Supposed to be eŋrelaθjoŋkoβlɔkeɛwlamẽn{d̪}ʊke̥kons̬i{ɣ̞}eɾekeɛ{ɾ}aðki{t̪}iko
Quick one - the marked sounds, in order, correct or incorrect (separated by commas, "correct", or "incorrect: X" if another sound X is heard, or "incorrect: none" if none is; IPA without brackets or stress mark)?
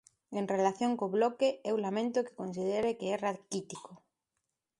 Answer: incorrect: t̪, incorrect: ð̞, incorrect: r, correct